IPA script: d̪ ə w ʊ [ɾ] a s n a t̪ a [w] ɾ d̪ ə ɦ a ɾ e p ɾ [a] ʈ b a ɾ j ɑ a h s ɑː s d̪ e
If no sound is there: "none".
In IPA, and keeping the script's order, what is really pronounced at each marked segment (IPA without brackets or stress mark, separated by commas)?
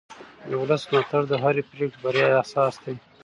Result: l, none, e